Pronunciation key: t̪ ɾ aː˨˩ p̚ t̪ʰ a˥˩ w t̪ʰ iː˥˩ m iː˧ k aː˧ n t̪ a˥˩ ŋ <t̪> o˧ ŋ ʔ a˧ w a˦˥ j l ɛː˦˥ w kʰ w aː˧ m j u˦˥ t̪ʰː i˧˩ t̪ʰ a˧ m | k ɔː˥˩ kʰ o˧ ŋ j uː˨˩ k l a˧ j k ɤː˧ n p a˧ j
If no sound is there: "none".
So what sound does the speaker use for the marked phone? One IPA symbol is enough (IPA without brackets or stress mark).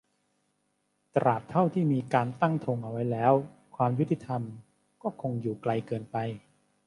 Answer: t̪ʰ